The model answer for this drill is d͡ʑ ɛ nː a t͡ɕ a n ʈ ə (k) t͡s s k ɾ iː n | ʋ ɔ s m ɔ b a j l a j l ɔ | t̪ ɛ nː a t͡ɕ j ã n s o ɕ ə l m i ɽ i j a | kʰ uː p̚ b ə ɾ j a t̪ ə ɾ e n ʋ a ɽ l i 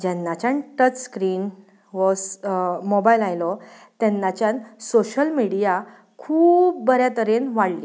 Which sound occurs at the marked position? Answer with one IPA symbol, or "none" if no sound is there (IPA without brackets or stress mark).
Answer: none